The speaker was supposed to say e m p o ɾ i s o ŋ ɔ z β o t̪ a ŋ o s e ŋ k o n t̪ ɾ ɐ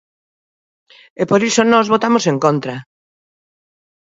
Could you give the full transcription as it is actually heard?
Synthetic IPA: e p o ɾ i s o n ɔ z β o t̪ a m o s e ŋ k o n t̪ ɾ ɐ